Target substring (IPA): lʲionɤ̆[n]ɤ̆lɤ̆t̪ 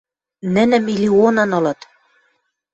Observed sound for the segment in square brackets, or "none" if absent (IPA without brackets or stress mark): n